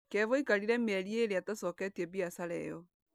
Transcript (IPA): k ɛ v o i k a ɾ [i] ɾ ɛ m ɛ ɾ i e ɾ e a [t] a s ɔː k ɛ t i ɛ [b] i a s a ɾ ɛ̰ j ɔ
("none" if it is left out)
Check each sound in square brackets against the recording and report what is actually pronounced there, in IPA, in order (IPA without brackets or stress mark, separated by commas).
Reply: i, t, b